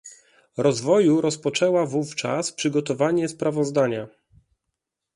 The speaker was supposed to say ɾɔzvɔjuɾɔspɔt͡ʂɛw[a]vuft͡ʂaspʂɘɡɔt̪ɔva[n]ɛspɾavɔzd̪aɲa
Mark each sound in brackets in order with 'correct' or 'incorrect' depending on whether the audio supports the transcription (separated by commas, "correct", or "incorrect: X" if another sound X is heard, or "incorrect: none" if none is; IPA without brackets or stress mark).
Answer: correct, incorrect: ɲ